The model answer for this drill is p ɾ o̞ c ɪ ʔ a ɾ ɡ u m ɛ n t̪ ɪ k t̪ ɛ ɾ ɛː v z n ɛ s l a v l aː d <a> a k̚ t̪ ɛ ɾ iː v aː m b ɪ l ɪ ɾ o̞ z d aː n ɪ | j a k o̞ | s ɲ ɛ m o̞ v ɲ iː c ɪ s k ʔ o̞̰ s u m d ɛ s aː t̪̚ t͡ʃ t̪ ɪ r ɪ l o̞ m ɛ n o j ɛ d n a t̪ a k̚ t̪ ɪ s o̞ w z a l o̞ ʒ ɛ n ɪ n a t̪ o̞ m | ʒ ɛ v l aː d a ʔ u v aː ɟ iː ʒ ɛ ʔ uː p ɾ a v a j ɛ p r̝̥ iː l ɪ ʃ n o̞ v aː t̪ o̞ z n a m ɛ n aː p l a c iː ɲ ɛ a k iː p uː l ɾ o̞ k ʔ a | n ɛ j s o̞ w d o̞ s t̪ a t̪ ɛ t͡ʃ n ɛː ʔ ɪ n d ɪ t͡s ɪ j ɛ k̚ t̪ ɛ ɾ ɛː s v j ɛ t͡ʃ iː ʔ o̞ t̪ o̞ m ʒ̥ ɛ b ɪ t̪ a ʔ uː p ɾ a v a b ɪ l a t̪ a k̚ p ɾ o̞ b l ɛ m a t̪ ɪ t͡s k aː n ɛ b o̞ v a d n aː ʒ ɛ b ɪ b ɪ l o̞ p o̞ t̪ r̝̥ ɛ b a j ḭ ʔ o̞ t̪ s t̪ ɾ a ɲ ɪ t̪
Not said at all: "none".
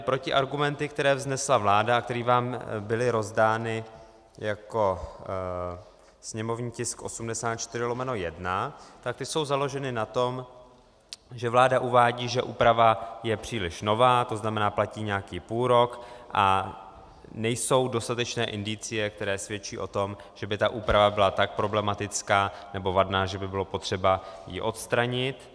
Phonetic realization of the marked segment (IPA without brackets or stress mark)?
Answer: a